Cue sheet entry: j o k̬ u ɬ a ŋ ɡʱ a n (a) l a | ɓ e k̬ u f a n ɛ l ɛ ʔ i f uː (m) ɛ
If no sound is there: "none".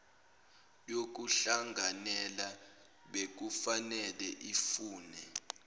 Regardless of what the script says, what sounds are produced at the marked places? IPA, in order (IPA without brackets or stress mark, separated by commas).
ɛ, n